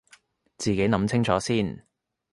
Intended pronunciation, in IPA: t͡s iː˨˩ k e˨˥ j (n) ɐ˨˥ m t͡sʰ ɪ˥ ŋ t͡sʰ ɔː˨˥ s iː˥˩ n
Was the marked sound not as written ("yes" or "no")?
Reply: no